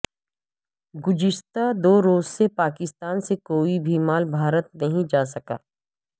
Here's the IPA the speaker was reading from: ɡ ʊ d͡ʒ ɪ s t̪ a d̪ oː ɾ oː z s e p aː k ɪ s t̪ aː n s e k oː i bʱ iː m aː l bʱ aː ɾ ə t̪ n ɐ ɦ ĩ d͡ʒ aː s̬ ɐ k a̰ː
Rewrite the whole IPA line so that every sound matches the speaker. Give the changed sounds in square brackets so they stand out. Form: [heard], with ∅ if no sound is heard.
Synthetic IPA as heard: ɡ ʊ d͡ʒ ɪ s t̪ a d̪ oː ɾ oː z s e p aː k ɪ s t̪ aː n s e k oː i bʱ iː m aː l bʱ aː ɾ ə t̪ n ɐ ɦ ĩ d͡ʒ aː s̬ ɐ k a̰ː

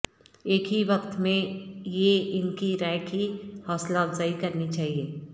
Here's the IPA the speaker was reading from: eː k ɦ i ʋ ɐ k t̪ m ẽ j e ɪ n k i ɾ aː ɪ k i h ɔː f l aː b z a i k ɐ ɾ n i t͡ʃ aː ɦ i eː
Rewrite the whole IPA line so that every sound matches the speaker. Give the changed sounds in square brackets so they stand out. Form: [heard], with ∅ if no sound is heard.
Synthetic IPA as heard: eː k ɦ i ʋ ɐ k t̪ m ẽ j e ɪ n k i ɾ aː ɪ k i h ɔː [s] l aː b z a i k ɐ ɾ n i t͡ʃ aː ɦ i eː

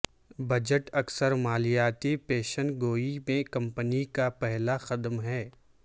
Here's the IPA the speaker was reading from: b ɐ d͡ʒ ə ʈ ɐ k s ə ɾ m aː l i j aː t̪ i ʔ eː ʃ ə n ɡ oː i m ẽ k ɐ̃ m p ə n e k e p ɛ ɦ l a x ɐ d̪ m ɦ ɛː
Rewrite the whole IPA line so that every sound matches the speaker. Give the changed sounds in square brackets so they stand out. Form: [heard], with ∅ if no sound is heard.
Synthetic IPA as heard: b ɐ d͡ʒ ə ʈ ɐ k s ə ɾ m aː l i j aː t̪ i [p] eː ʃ ə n ɡ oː i m ẽ k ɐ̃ m p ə n [i] k [a] p ɛ ɦ l a x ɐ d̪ m ɦ ɛː

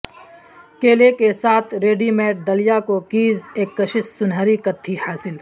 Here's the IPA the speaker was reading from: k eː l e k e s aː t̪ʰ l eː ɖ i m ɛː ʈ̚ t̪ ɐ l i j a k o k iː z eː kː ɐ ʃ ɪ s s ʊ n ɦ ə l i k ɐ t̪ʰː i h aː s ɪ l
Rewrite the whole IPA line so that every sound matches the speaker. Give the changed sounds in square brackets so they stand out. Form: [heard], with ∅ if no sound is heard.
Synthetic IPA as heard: k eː l e k e s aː t̪ʰ [ɾ] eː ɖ i m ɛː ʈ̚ [d̪] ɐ l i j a k o k iː z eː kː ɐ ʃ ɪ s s ʊ n ɦ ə [ɾ] i k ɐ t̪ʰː i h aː s ɪ l

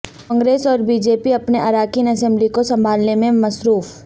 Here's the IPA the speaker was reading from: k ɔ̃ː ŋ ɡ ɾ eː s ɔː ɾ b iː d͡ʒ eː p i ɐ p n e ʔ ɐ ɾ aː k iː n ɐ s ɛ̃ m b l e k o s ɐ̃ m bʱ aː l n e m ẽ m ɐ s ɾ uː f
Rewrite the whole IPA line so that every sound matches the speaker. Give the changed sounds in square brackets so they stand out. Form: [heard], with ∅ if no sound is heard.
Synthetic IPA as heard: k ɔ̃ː ŋ ɡ ɾ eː s ɔː ɾ b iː d͡ʒ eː p i ɐ p n e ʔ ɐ ɾ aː k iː n ɐ s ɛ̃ m b l [i] k o s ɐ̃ m bʱ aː l n e m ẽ m ɐ s ɾ uː f

